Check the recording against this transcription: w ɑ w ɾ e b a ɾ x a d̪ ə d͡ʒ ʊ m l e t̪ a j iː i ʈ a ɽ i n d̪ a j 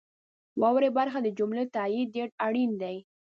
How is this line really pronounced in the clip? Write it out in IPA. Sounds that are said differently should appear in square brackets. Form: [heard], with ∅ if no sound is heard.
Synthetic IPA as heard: w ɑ w ɾ e b a ɾ x a d̪ ə d͡ʒ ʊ m l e t̪ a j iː [e] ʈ a ɽ i n d̪ a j